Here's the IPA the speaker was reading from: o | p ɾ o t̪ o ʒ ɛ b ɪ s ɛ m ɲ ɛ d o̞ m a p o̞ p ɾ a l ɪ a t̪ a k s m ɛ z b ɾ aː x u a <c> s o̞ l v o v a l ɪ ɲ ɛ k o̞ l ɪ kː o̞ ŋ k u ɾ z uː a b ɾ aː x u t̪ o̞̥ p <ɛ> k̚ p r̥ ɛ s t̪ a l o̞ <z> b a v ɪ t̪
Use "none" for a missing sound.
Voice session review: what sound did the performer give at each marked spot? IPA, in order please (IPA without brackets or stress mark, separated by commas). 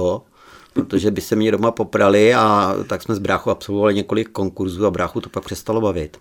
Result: p, a, none